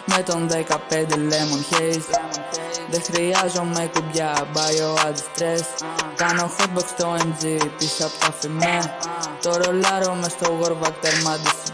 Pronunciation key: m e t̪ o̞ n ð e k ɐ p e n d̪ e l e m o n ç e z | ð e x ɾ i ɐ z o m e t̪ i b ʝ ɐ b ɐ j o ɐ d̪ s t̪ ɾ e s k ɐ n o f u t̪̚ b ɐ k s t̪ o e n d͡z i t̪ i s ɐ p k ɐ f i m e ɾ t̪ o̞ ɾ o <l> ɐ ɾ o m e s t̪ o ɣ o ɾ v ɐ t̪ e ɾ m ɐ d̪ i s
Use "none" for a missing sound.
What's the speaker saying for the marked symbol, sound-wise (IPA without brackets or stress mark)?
l